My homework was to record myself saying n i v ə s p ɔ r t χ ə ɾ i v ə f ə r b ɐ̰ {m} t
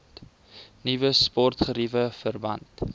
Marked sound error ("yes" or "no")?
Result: yes